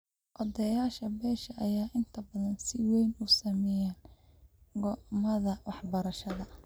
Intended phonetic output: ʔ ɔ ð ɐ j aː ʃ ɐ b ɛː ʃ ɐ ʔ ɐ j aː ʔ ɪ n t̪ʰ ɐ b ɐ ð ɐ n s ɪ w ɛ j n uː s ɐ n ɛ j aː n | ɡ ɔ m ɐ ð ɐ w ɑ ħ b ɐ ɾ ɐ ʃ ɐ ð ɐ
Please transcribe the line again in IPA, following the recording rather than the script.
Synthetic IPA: ʔ ɔ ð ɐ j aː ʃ ɐ b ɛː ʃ ɐ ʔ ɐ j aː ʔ ɪ n t̪ʰ ɐ b ɐ ð ɐ n s ɪ w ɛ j n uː s ɐ m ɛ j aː n | ɡ ɔ m ɐ ð ɐ w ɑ ħ b ɐ ɾ ɐ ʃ ɐ ð ɐ